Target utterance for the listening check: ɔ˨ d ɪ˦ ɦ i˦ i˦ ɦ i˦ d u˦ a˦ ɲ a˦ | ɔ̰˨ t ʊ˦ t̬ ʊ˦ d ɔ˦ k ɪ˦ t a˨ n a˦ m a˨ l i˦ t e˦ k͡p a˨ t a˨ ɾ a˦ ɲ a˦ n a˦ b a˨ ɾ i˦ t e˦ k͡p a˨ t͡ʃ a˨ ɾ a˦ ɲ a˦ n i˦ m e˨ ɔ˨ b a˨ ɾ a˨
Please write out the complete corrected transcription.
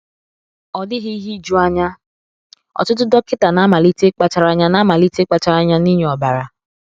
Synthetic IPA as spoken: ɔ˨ d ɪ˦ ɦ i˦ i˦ ɦ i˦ d͡ʒ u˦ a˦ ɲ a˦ | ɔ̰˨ t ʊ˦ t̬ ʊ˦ d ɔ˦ k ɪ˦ t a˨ n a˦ m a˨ l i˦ t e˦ k͡p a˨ t͡ʃ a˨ ɾ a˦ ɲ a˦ n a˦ m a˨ l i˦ t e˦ k͡p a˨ t͡ʃ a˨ ɾ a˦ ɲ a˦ n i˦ ɲ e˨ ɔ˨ b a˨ ɾ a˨

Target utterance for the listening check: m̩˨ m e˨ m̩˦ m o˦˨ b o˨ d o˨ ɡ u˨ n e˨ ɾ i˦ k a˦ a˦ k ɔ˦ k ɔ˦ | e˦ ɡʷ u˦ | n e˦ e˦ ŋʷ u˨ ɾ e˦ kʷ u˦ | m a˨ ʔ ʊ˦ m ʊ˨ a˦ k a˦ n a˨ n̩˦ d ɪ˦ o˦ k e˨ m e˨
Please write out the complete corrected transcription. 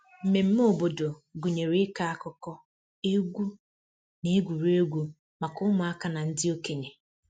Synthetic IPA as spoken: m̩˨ m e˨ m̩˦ m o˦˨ b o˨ d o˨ ɡ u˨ ɲ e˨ ɾ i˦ k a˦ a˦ k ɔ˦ k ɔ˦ | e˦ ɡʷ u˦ | n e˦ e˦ ɡʷ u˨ ɾ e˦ ɡʷ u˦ | m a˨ k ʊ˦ m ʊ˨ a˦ k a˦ n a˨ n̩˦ d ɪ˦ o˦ k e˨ ɲ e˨

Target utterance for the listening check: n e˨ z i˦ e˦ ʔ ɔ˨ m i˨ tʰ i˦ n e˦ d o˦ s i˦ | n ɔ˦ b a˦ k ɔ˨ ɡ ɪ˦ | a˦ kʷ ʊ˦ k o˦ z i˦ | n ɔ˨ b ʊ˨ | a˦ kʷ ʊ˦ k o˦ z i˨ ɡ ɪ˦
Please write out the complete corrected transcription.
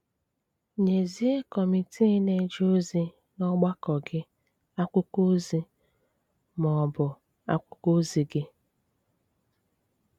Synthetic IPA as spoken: ɲ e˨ z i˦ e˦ k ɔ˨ m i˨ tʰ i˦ n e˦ d͡ʒ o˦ z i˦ | n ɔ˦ ɡ͡b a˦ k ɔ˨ ɡ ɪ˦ | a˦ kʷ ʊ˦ k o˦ z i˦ | m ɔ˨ b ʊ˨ | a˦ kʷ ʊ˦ k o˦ z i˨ ɡ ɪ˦

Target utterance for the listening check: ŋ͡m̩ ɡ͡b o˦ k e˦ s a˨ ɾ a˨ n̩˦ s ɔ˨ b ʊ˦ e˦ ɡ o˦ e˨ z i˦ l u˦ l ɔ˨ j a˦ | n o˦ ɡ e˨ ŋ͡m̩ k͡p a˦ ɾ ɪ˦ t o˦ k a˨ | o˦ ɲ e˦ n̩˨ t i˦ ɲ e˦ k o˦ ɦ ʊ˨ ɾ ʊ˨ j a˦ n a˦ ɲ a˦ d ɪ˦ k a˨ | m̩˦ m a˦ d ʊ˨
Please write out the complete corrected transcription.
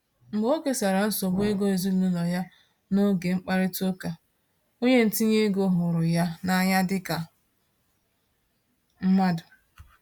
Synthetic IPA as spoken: ŋ͡m̩ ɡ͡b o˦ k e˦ s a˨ ɾ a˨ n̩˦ s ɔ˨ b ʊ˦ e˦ ɡ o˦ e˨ z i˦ l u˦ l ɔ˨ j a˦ | n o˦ ɡ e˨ ŋ͡m̩ k͡p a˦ ɾ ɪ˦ t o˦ k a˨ | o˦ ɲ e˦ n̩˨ t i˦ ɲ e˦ ɡ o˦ ɦ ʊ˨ ɾ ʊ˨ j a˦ n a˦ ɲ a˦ d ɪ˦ k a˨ | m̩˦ m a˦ d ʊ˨

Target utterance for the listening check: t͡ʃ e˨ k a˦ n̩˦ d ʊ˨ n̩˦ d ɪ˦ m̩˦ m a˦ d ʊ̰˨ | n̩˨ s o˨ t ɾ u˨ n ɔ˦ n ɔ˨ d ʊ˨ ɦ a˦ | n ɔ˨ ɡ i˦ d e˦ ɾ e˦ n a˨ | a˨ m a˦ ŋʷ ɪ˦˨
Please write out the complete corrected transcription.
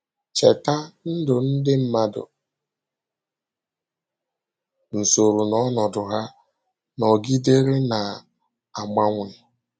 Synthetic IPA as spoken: t͡ʃ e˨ t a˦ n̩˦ d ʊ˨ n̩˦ d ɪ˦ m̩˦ m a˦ d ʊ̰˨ | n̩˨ s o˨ ɾ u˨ n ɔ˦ n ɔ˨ d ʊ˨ ɦ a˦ | n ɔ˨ ɡ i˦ d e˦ ɾ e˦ n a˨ | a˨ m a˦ ŋʷ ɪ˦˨

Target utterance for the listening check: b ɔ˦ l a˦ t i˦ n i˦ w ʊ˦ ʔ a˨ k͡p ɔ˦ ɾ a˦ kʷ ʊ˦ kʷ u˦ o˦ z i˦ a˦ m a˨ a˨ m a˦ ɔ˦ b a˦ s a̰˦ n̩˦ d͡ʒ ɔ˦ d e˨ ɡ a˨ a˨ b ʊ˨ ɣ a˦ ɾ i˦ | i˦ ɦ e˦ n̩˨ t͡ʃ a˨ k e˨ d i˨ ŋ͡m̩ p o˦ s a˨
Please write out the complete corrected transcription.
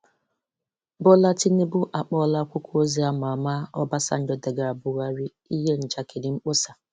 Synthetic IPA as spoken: b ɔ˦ l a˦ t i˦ n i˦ b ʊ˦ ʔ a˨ k͡p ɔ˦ l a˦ kʷ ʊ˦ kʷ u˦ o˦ z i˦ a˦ m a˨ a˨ m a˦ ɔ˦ b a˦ s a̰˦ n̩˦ d͡ʒ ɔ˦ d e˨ ɡ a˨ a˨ b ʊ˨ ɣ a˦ ɾ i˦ | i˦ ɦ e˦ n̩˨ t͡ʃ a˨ k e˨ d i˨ ŋ͡m̩ k͡p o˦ s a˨

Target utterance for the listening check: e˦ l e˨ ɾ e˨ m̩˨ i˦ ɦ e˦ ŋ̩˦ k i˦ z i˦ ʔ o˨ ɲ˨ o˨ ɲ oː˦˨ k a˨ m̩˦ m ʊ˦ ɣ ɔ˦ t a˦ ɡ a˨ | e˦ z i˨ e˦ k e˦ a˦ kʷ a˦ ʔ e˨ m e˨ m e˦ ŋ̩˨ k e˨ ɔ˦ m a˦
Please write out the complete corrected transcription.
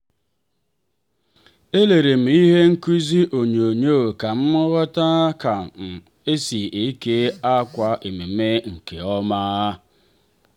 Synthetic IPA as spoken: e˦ l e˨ ɾ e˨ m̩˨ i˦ ɦ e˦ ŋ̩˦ k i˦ z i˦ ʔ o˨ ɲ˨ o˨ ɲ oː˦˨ k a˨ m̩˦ m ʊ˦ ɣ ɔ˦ t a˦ k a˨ | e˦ s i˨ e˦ k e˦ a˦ kʷ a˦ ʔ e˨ m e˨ m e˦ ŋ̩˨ k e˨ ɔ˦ m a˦

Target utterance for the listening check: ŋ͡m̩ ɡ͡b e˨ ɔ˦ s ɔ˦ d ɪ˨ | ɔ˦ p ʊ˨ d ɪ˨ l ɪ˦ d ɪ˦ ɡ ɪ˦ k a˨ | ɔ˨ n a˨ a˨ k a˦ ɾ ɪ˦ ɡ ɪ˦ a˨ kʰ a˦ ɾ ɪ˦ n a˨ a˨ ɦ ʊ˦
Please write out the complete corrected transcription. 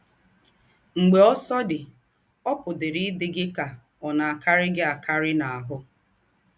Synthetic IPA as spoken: ŋ͡m̩ ɡ͡b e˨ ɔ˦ s ɔ˦ d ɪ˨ | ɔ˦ p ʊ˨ d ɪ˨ ɾ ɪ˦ d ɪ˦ ɡ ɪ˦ k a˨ | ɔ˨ n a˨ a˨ k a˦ ɾ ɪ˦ ɡ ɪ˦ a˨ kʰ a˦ ɾ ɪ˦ n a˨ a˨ ɦ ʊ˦

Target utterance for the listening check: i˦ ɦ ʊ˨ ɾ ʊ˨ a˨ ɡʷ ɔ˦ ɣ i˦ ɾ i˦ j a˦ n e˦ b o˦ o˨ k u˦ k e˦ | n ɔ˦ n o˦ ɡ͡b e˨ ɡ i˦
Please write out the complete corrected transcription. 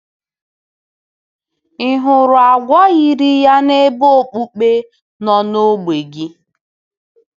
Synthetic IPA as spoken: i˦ ɦ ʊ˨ ɾ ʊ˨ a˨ ɡʷ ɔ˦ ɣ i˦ ɾ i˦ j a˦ n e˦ b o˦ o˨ k͡p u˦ k͡p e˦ | n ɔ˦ n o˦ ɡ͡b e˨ ɡ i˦

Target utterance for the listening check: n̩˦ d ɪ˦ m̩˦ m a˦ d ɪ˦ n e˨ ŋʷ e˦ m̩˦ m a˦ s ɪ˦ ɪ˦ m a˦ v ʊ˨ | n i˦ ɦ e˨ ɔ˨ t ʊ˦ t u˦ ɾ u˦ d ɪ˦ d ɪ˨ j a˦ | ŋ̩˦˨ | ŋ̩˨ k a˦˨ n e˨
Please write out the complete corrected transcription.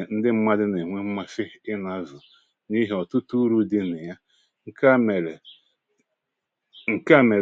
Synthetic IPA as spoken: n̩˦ d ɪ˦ m̩˦ m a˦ d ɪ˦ n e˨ ŋʷ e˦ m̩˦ m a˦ f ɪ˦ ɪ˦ n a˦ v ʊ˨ | n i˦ ɦ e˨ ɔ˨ t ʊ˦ t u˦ ɾ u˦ d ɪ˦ n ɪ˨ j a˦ | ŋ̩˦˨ | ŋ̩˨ k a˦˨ m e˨

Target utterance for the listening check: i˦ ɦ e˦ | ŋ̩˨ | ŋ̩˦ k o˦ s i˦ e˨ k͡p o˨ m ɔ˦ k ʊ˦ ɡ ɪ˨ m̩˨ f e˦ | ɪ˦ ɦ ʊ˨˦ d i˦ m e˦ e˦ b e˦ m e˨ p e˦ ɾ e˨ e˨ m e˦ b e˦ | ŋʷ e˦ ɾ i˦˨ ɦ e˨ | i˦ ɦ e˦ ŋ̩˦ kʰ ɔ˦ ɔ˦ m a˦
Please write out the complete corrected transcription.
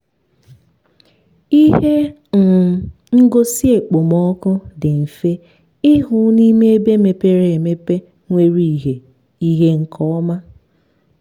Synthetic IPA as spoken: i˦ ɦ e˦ | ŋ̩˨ | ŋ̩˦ ɡ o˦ s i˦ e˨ k͡p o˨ m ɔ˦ k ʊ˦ d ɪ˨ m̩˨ f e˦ | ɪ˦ ɦ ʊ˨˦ n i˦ m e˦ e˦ b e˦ m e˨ p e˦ ɾ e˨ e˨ m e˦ p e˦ | ŋʷ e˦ ɾ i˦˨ ɦ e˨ | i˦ ɦ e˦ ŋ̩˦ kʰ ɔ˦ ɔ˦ m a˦

